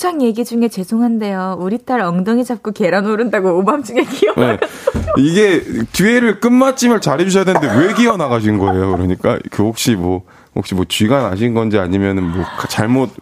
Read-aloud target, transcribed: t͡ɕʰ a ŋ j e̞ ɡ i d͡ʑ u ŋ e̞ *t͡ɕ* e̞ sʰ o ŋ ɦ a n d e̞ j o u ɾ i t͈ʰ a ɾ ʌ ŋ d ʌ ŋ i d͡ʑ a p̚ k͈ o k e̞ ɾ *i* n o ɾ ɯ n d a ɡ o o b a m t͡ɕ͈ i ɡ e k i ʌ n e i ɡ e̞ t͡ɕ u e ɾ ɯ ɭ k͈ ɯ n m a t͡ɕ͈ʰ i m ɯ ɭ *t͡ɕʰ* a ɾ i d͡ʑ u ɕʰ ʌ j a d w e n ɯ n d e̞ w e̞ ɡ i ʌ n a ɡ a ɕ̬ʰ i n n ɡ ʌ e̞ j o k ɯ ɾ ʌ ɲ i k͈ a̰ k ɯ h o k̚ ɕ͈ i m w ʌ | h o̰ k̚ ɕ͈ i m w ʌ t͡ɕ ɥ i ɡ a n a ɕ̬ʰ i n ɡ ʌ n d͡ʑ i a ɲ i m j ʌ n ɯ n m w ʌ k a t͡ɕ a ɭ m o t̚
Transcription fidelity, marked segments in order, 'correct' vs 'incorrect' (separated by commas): correct, incorrect, incorrect